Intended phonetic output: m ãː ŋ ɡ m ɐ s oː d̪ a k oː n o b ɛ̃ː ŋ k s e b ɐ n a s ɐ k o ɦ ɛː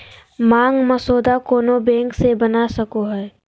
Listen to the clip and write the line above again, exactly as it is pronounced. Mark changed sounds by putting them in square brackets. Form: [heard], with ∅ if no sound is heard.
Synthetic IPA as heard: m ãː ŋ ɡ m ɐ s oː d̪ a k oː n o b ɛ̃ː ŋ k s e b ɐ n a s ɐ k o ɦ ɛː